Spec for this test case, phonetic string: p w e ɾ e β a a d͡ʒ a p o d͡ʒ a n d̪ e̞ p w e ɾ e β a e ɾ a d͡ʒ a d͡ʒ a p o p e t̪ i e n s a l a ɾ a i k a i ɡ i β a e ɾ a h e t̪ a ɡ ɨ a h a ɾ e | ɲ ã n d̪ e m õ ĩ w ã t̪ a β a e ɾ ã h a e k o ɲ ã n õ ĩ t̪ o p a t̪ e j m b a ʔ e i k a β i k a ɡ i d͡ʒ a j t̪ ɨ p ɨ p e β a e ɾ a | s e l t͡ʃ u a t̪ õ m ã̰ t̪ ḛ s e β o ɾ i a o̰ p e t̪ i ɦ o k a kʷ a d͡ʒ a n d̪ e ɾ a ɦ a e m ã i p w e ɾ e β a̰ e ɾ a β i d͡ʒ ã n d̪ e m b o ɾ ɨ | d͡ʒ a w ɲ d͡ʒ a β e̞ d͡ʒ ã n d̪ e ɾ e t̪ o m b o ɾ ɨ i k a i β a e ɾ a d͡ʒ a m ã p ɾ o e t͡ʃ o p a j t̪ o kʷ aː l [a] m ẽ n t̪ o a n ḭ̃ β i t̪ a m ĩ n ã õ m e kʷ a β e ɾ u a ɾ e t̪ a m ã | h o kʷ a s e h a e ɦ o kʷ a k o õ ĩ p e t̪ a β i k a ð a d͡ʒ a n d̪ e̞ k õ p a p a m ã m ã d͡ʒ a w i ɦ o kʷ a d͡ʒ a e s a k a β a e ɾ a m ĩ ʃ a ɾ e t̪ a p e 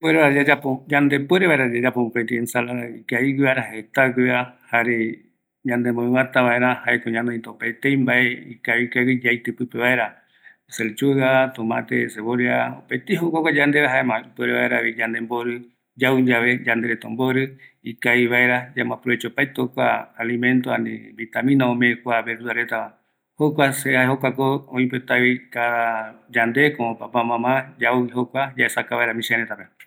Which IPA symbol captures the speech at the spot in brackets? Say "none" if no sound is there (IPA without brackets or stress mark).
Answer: i